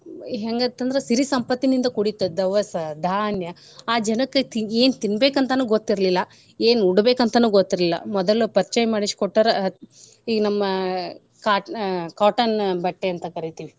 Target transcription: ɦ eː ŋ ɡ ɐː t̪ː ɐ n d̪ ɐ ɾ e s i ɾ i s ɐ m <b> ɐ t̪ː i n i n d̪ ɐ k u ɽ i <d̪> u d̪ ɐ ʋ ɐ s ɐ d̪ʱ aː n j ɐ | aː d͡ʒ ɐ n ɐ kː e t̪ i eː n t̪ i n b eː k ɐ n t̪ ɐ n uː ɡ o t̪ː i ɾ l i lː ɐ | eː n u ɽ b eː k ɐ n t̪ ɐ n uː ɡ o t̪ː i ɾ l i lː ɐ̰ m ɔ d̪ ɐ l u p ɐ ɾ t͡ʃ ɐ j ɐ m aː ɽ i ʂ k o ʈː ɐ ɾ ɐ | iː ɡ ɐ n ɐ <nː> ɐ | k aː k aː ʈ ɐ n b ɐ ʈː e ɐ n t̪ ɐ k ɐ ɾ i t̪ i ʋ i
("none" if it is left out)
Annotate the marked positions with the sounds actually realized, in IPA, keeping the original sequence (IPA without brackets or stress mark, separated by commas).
p, t̪, mː